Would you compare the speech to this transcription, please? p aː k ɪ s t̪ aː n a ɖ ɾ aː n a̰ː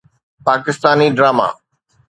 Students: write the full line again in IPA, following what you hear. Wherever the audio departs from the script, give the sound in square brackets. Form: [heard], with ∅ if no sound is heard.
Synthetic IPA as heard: p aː k ɪ s t̪ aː n [i] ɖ ɾ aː [m] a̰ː